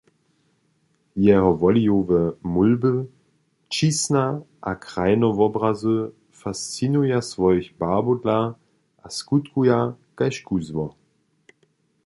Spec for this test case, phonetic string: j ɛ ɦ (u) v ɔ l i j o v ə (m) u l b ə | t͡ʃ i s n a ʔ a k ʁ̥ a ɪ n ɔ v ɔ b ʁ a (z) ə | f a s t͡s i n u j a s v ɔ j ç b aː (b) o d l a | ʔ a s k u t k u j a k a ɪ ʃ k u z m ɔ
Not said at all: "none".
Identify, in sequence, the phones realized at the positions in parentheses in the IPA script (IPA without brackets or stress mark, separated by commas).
ɔ, m, z, b